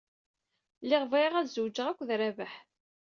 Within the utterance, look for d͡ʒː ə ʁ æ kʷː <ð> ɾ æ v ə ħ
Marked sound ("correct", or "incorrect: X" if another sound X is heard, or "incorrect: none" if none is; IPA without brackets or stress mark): correct